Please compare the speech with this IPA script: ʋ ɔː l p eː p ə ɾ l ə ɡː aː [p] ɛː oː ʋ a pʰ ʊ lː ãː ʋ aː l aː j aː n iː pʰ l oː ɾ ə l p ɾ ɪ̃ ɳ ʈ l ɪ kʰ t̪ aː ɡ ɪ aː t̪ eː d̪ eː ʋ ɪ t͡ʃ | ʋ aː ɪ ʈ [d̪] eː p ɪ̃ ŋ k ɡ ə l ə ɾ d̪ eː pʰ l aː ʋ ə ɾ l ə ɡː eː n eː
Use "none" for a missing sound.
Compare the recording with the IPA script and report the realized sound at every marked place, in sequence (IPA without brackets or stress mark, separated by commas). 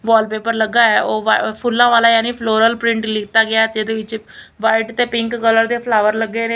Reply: none, t̪